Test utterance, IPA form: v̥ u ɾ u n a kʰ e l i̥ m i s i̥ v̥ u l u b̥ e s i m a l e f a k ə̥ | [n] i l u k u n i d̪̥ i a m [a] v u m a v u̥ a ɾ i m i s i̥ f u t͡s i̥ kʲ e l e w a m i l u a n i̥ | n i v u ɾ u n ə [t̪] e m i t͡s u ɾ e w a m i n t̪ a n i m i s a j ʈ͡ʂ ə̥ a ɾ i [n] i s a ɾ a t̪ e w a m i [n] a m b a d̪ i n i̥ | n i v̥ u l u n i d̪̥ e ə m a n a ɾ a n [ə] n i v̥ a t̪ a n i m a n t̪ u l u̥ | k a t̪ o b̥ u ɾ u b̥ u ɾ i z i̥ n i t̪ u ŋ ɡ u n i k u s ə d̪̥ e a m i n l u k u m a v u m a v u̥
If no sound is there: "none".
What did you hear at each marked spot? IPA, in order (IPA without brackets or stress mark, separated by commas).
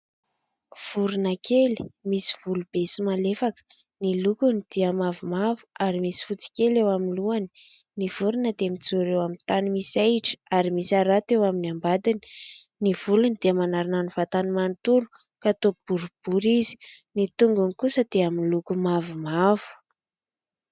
n, a, d̪, m, n, a